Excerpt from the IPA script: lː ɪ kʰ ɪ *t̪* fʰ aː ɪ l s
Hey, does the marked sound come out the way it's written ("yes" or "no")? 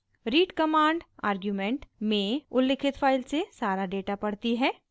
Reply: yes